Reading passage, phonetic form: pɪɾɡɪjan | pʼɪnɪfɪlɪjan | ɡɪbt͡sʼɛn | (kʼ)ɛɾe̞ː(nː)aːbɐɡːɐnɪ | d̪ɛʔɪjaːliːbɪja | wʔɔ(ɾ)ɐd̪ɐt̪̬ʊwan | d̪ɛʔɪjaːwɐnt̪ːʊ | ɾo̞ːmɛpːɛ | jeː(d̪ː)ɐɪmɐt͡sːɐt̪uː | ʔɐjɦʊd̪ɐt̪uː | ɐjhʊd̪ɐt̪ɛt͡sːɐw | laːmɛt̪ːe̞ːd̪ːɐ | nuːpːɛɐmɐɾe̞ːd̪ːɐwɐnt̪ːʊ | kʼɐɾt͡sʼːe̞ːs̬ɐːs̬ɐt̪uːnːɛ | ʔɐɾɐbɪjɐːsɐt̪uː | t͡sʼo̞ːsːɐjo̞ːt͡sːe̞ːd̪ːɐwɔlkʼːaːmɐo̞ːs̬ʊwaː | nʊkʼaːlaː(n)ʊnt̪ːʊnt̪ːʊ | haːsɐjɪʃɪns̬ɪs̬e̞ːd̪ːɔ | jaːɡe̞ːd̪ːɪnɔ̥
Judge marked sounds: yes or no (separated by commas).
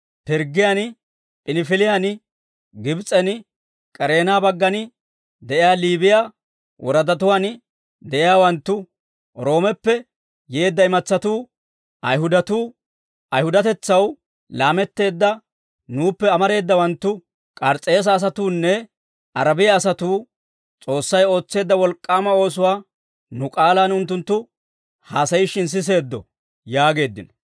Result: yes, no, yes, yes, yes